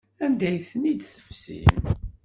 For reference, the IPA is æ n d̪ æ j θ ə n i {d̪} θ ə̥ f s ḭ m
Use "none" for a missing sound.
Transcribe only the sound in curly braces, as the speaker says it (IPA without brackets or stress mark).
d̪